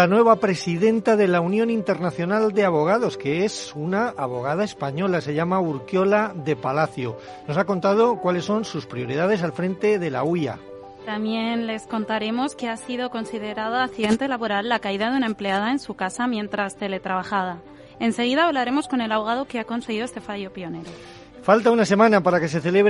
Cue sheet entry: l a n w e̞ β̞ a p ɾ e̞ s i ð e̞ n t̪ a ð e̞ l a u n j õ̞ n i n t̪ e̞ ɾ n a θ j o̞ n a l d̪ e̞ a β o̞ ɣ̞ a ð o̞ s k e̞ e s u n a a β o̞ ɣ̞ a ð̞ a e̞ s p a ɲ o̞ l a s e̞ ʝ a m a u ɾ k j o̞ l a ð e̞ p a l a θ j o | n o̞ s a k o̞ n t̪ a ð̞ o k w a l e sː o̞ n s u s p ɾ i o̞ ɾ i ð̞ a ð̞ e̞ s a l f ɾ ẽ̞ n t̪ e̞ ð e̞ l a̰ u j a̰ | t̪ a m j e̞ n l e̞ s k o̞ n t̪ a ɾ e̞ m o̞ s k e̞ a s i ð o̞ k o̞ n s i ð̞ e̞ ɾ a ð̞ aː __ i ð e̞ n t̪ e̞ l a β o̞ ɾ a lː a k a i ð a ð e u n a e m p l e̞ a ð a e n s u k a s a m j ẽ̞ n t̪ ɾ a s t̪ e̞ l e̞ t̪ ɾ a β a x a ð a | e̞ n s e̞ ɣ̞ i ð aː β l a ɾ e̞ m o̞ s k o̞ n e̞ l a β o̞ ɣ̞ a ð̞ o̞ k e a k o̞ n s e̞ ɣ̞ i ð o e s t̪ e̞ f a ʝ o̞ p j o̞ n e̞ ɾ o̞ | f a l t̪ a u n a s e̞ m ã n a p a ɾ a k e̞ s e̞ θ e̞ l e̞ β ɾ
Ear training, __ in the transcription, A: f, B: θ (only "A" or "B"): B